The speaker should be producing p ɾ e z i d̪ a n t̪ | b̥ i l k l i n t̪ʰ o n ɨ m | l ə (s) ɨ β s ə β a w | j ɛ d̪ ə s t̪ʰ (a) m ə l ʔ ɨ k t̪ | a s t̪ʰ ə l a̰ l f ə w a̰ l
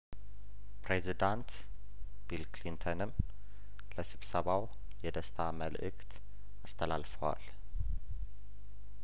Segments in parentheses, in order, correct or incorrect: correct, correct

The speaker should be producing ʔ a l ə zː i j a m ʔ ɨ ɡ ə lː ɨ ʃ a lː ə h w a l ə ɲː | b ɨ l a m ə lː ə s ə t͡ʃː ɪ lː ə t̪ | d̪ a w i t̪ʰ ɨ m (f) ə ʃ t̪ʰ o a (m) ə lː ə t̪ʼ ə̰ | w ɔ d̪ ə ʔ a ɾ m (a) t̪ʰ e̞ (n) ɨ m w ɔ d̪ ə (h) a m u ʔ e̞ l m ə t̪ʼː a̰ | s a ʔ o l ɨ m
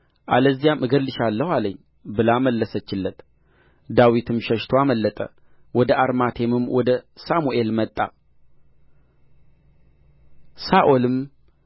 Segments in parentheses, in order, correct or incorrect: incorrect, correct, correct, incorrect, incorrect

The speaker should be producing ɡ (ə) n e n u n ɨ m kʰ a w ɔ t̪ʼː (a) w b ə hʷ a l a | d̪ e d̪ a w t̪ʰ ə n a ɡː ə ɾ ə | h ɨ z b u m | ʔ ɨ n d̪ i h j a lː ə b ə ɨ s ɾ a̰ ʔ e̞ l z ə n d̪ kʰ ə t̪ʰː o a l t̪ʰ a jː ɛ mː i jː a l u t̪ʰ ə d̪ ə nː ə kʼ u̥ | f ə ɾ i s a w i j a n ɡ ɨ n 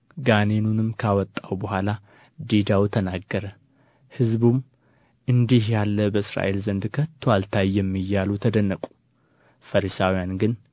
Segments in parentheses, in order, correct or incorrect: incorrect, correct

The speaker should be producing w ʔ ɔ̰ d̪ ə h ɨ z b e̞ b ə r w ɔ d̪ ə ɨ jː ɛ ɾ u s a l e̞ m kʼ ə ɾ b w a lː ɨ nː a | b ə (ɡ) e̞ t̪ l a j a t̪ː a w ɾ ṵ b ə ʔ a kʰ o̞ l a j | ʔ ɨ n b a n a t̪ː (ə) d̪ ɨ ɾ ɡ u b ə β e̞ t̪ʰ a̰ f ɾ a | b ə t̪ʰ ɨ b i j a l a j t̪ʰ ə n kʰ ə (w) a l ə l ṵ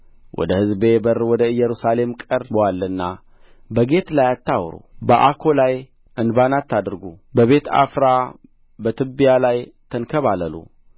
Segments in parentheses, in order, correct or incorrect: correct, incorrect, incorrect

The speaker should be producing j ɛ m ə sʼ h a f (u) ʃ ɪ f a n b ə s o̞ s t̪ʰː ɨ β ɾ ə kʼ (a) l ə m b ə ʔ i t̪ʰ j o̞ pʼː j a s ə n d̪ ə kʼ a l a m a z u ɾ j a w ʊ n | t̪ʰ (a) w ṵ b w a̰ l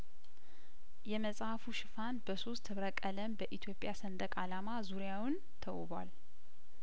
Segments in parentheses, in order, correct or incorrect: correct, incorrect, incorrect

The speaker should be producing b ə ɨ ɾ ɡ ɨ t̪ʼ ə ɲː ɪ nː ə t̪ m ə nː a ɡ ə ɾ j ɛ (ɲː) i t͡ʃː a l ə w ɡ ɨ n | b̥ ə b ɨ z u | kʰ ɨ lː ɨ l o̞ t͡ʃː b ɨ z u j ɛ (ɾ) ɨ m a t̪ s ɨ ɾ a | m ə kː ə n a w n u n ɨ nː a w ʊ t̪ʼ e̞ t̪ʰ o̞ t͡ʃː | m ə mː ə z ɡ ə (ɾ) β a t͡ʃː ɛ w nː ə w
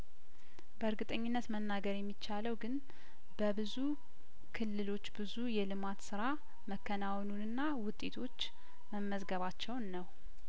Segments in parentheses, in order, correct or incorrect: incorrect, incorrect, incorrect

